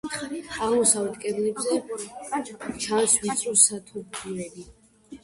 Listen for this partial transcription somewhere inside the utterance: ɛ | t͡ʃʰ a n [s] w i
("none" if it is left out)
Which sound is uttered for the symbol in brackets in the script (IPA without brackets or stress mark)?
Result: s